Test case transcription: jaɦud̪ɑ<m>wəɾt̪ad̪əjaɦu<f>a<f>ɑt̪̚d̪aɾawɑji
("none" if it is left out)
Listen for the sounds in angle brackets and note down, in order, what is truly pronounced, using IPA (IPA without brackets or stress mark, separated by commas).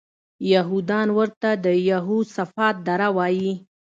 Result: n, s, f